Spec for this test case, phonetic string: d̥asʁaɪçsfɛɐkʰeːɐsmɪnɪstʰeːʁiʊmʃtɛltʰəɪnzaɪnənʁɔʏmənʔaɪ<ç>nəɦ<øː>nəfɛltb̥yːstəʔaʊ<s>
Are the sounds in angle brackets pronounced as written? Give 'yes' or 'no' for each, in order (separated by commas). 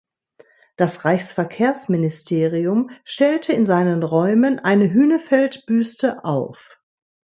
no, no, no